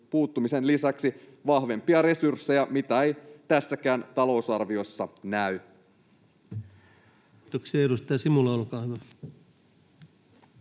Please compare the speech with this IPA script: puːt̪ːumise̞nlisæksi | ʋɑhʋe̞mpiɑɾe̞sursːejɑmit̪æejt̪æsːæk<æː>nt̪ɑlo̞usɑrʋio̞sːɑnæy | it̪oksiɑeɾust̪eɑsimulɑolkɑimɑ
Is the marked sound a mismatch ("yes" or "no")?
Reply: no